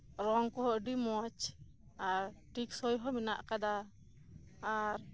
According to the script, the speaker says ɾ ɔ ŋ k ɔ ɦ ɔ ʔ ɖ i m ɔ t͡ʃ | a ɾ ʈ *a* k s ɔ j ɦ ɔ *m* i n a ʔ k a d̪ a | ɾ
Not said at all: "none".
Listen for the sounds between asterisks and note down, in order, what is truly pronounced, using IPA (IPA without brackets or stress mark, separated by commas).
i, m